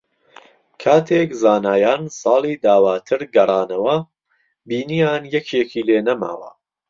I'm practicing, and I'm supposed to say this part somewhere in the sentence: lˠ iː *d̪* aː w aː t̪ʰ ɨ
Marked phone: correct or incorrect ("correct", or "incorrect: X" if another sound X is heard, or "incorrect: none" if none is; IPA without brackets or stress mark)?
correct